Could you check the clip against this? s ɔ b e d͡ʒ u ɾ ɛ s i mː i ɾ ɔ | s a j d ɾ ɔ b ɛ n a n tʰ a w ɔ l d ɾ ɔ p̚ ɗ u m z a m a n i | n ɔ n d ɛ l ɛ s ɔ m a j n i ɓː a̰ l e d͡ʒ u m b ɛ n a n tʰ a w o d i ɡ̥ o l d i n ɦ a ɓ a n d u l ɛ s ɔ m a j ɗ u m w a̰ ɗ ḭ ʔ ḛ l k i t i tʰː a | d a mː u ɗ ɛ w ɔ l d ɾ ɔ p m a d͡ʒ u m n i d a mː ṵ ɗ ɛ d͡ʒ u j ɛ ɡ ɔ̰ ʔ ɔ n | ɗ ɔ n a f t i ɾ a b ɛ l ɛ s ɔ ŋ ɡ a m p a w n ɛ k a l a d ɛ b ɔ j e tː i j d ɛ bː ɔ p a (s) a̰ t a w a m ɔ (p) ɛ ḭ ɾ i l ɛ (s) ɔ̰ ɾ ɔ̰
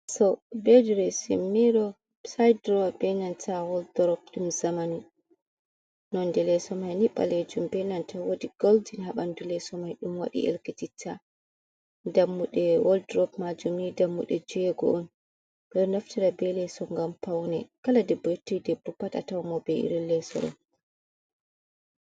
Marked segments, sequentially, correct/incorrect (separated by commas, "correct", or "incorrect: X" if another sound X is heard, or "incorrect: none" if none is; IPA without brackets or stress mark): incorrect: t, incorrect: b, correct